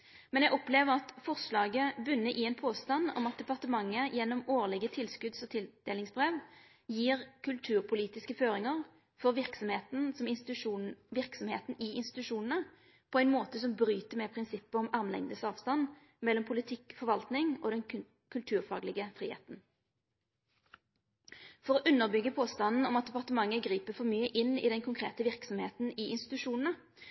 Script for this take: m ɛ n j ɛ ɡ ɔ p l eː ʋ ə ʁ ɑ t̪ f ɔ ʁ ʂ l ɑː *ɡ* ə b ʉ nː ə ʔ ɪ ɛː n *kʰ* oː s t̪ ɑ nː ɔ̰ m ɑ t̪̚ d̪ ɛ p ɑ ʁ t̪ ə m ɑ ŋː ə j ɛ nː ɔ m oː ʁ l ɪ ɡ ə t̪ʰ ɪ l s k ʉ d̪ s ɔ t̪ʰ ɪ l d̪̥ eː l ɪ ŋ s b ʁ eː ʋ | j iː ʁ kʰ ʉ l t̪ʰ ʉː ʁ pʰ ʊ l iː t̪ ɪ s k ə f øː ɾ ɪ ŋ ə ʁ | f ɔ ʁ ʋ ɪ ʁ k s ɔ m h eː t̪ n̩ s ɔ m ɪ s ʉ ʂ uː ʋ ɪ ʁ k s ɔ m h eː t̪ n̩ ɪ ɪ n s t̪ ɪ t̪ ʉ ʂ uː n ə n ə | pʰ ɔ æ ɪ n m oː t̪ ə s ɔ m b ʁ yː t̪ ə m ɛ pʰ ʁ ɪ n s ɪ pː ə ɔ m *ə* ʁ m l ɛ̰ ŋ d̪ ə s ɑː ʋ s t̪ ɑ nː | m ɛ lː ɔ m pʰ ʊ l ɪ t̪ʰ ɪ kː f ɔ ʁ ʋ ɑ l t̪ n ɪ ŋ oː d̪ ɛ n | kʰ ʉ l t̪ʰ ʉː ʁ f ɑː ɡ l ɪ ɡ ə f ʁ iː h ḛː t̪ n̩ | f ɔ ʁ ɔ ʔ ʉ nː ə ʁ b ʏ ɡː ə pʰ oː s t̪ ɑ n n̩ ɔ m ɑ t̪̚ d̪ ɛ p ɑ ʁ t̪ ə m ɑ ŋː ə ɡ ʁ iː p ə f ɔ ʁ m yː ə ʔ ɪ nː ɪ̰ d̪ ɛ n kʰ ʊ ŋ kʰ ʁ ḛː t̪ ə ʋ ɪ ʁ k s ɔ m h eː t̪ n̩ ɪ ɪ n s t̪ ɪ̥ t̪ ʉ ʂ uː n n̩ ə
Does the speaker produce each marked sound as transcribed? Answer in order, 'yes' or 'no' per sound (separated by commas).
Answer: yes, no, no